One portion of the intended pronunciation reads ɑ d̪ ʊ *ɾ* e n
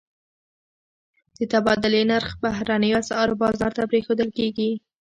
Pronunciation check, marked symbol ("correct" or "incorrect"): incorrect